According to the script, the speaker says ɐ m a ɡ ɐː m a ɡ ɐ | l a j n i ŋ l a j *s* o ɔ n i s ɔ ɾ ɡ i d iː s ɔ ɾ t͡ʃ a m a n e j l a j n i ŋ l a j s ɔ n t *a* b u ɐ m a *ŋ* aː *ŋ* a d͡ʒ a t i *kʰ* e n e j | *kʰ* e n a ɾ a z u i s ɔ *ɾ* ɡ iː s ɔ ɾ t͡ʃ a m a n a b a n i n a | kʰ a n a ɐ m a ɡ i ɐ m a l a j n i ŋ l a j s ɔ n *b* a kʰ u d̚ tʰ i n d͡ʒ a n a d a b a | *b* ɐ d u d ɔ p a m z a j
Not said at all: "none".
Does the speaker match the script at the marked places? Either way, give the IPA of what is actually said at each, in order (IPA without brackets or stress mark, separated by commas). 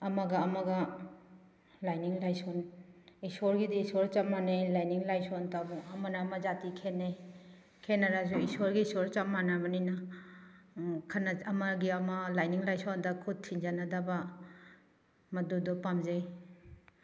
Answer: s, a, n, m, kʰ, kʰ, ɾ, d, m